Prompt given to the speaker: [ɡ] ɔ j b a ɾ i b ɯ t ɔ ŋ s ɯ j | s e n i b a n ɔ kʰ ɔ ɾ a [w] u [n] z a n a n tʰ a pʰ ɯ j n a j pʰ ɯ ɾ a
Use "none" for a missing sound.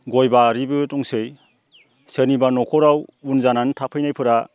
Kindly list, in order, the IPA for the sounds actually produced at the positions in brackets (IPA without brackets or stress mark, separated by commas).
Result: ɡ, w, n